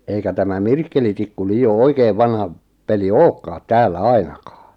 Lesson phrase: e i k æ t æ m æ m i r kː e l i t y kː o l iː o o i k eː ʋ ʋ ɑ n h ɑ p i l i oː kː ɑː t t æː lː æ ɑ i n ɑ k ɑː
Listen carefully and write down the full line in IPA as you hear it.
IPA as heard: e i k æ t æ m æ m i r kː e l i t i kː u l iː o o i k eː ʋ ʋ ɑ n h ɑ p e l i oː kː ɑː t t æː lː æ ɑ i n ɑ k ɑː

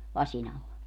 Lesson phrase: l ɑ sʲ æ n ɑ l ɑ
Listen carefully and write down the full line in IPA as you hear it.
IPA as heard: l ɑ sʲ i n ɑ lː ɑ

